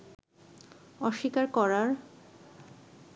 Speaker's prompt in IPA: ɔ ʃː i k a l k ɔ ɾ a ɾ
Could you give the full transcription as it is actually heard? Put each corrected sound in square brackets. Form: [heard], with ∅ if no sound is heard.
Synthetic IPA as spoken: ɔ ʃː i k a [ɾ] k ɔ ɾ a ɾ